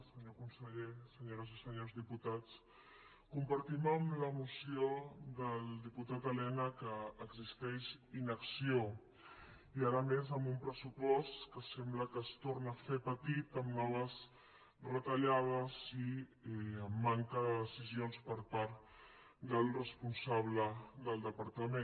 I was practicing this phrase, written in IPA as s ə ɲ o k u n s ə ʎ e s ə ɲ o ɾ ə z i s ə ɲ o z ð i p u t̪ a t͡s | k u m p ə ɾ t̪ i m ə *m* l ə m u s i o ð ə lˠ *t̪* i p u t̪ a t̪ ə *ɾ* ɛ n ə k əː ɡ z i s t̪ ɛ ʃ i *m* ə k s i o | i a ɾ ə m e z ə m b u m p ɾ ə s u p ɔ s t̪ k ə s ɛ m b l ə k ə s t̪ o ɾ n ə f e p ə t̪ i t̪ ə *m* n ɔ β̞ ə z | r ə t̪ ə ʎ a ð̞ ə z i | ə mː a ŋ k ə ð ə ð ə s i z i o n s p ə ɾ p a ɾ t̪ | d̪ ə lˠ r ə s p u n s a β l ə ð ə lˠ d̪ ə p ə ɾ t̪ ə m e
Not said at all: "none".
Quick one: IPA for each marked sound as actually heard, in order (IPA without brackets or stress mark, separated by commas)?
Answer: m, d̪, l, n, m